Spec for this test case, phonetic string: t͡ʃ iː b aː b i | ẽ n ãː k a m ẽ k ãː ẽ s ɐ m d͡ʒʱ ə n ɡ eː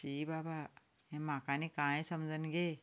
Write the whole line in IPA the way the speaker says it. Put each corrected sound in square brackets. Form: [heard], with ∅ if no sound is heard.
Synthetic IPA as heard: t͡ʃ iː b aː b [a] | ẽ [m] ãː k a [n] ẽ k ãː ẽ s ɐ m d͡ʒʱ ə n ɡ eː